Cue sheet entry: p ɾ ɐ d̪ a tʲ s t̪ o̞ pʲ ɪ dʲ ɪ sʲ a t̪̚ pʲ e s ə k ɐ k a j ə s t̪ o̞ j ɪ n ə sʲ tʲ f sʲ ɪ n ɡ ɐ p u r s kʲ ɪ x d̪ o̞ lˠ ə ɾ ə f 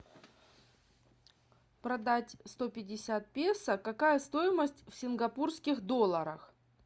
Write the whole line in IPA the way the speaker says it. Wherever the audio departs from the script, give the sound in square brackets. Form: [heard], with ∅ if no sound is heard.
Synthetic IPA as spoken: p ɾ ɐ d̪ a tʲ s t̪ o̞ pʲ ɪ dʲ ɪ sʲ a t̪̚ pʲ e s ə k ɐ k a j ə s t̪ o̞ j ɪ [m] ə sʲ tʲ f sʲ ɪ n ɡ ɐ p u r s kʲ ɪ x d̪ o̞ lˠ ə ɾ ə [x]